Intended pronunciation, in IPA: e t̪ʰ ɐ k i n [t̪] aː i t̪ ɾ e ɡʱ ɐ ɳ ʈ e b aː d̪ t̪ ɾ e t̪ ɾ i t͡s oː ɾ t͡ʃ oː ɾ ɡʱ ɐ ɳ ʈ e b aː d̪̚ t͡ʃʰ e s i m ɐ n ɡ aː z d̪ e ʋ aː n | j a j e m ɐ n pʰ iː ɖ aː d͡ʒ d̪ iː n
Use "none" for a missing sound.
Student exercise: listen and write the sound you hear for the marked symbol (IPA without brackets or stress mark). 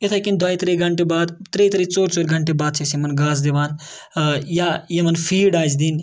d̪